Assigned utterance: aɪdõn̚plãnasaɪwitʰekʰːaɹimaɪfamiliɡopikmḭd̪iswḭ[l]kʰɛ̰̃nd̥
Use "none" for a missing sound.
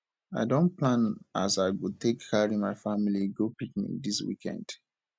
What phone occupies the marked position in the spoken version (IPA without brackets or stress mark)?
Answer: none